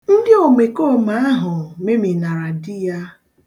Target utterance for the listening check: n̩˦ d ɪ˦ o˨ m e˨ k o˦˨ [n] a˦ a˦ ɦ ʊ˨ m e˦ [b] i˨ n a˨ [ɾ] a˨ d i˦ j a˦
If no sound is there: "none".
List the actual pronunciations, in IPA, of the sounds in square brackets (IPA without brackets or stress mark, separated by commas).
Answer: m, m, ɾ